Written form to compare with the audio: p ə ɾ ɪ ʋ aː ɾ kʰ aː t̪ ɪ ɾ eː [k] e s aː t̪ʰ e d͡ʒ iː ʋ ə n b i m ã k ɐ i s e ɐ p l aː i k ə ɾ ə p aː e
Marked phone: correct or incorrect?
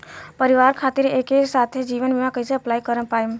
correct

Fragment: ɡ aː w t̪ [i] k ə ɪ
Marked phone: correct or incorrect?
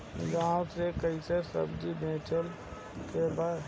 incorrect: e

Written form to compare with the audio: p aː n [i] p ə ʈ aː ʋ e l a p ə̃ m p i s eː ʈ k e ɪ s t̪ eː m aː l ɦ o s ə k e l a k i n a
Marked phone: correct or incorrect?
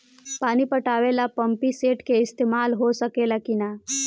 correct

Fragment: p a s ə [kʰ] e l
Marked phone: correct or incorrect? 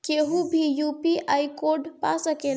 incorrect: k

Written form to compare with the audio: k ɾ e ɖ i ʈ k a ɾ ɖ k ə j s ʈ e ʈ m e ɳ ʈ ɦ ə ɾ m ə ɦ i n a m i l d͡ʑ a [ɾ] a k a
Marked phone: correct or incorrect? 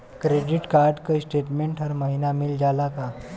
incorrect: l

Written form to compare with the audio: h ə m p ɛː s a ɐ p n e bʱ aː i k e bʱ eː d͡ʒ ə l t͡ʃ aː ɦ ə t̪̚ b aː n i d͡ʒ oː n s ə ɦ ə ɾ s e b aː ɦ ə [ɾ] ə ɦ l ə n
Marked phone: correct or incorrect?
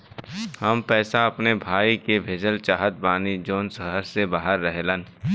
incorrect: ɾː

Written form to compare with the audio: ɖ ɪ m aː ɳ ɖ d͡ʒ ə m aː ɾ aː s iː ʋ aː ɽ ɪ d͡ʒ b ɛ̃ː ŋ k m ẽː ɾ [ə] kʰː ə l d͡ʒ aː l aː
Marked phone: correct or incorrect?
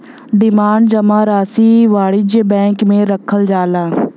correct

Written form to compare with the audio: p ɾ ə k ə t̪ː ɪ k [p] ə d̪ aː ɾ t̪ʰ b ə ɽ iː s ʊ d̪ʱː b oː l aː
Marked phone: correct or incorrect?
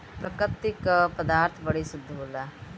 correct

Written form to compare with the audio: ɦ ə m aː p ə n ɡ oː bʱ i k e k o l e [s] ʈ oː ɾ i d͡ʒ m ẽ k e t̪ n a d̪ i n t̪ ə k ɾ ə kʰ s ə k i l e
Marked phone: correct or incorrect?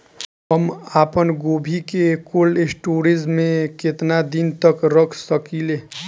correct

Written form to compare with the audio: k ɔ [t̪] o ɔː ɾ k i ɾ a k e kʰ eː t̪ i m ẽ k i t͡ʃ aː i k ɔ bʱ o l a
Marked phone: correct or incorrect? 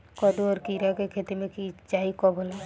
incorrect: d̪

